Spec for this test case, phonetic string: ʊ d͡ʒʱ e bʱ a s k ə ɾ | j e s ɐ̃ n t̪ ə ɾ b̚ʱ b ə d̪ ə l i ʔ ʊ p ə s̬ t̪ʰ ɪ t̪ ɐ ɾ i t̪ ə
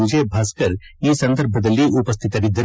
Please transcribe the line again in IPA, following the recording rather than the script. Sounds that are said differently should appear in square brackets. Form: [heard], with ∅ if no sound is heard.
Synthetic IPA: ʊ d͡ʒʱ e bʱ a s k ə ɾ | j e s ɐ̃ n [d̪] ə ɾ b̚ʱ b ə d̪ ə l i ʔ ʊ p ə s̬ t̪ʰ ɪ t̪ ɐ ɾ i [d̪] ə